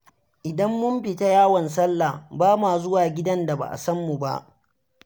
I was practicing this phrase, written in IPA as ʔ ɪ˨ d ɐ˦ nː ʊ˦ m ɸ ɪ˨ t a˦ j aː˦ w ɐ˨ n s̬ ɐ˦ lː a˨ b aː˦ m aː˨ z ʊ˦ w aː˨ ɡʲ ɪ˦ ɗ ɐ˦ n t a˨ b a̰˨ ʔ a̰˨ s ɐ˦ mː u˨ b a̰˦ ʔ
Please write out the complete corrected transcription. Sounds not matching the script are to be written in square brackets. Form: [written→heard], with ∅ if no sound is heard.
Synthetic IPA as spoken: ʔ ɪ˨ d ɐ˦ [nː→mː] ʊ˦ m ɸ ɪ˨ t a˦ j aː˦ w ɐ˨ n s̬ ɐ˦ lː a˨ b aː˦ m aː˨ z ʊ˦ w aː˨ ɡʲ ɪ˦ [ɗ→d] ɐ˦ n [t→d] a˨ b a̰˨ ʔ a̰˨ s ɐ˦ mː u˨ b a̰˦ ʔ